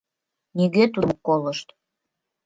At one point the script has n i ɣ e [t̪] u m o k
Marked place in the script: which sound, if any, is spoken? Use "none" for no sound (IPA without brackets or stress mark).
t̪